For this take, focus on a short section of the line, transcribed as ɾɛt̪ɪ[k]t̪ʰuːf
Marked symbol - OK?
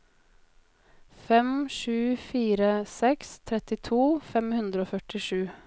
no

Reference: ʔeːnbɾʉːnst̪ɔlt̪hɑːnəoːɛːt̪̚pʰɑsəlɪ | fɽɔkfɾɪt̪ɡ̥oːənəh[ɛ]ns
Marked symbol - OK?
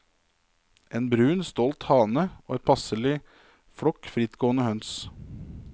no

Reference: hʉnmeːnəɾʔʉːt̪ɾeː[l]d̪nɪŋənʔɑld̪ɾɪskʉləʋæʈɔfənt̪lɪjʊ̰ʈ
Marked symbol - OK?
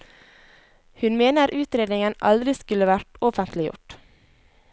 no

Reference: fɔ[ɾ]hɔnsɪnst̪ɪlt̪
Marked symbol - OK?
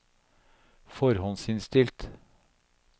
yes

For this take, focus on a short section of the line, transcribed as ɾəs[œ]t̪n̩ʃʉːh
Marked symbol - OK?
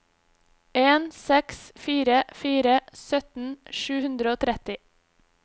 yes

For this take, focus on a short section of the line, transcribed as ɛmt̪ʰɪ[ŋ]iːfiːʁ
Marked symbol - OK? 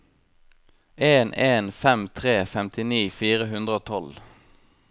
no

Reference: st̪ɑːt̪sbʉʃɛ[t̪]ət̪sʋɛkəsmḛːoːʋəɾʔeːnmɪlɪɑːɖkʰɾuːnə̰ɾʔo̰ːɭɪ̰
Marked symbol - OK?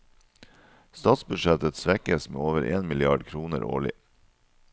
yes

